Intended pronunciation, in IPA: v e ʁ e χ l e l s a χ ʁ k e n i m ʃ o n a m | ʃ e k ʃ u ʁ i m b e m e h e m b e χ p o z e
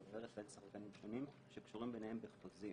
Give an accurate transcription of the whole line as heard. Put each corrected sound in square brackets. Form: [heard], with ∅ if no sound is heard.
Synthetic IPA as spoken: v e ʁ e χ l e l s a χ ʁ k [a] n i m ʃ o n [i] m | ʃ e k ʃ u ʁ i m b e [n] e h e m b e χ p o z [i]